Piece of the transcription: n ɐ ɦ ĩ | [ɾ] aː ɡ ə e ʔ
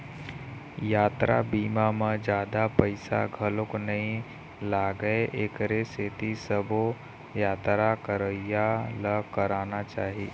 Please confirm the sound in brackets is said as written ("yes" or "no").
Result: no